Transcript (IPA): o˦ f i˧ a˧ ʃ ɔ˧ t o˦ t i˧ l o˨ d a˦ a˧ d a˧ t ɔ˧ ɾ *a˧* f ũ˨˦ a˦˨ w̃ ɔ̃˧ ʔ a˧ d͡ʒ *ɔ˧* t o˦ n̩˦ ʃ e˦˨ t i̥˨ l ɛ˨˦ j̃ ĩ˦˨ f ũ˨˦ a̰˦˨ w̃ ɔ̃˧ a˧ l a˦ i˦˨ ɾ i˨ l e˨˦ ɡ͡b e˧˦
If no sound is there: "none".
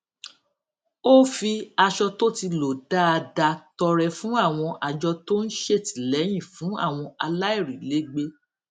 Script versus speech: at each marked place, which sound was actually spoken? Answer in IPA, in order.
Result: ɛ˧, ɔ˧

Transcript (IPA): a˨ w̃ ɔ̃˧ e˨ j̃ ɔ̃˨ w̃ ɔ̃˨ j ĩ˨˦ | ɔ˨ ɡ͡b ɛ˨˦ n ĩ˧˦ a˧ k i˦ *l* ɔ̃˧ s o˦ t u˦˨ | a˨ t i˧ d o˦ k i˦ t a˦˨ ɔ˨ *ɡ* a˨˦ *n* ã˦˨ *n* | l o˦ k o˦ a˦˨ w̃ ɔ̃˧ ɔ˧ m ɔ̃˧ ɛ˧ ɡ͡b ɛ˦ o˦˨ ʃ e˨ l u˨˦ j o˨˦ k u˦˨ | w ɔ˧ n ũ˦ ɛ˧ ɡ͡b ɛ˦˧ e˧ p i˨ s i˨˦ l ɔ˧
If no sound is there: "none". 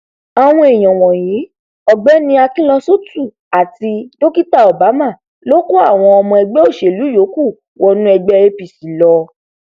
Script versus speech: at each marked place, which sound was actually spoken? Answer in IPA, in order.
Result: l, b, m, none

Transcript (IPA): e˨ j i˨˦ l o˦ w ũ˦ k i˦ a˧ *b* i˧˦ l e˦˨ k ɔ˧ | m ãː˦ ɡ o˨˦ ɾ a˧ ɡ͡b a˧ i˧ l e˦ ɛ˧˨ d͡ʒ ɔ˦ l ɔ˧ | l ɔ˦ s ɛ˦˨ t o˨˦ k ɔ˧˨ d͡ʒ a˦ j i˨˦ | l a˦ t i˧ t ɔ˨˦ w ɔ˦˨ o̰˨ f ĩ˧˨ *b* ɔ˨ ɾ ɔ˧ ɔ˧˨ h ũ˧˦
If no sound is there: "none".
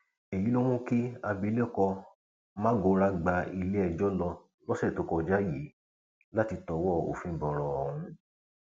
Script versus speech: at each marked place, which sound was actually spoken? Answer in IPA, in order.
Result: b, b

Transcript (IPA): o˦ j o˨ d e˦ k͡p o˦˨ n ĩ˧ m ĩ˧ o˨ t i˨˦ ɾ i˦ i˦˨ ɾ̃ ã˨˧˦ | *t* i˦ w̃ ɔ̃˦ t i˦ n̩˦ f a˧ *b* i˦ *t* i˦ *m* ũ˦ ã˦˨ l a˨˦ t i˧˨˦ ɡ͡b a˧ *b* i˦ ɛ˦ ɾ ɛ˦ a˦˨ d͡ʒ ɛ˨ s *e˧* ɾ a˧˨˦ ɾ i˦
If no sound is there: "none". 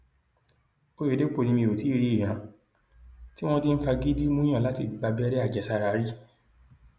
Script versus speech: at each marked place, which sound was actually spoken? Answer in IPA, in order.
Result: t, ɡ, d, m, b, a˧

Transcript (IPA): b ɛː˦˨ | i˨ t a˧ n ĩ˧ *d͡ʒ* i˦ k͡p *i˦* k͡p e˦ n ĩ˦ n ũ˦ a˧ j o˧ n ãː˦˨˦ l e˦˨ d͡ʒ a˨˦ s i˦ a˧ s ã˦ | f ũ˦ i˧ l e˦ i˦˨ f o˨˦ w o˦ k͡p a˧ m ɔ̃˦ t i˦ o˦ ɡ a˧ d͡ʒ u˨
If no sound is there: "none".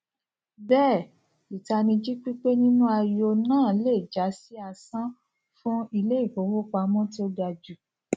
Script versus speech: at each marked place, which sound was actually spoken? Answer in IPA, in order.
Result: d͡ʒ, i˦

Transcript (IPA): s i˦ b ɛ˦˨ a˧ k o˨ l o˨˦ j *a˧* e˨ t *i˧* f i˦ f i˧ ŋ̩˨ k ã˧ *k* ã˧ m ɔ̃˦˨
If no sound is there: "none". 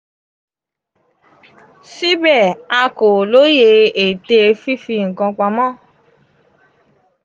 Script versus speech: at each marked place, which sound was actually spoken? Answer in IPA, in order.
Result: e˧, e˧, k͡p

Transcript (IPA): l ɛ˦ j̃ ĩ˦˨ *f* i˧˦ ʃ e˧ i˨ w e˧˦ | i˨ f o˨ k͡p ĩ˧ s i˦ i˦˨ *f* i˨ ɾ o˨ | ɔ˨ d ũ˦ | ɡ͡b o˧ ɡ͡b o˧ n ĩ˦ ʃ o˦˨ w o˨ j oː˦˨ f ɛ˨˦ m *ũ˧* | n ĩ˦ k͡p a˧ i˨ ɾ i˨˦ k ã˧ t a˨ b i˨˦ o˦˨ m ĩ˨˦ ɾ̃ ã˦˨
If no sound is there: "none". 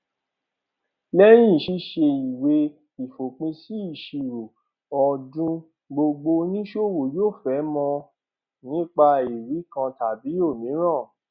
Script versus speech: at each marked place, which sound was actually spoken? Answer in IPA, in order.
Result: ʃ, ʃ, ɔ̃˧

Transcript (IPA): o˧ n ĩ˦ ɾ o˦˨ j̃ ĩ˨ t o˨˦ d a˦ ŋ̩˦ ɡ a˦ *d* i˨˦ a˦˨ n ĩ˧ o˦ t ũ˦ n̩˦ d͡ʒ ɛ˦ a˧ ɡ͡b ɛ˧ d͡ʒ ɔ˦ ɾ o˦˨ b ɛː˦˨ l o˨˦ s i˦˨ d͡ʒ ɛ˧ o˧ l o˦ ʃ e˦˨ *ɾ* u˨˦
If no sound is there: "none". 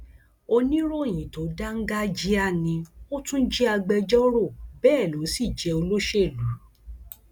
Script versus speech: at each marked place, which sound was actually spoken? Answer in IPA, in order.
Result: d͡ʒ, l

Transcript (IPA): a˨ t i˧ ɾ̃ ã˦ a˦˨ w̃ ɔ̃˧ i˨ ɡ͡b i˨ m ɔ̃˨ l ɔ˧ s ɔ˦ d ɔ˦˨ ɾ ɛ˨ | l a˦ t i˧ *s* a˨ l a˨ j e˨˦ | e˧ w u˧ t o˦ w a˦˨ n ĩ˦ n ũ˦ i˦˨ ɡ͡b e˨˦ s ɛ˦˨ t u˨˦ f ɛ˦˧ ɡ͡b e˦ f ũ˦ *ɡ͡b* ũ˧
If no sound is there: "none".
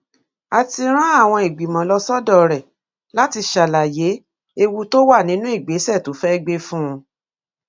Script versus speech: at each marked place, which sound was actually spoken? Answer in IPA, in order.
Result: ʃ, none

